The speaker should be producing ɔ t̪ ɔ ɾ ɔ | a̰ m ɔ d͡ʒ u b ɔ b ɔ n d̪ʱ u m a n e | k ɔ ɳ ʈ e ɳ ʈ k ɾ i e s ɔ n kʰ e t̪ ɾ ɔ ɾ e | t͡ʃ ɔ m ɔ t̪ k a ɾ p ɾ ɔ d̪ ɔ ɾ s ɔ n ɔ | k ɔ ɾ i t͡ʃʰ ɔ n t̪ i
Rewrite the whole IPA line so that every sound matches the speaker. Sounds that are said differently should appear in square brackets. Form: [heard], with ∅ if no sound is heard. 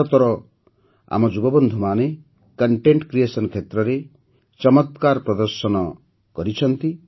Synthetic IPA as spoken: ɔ t̪ ɔ ɾ ɔ | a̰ m ɔ d͡ʒ u b ɔ b ɔ n d̪ʱ u m a n e | k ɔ ɳ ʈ e ɳ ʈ k ɾ i e s ɔ n kʰ e t̪ ɾ ɔ ɾ e | t͡ʃ ɔ m ɔ t̪ k a ɾ p ɾ ɔ d̪ ɔ ɾ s ɔ n ɔ | k ɔ ɾ i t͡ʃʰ ɔ n t̪ i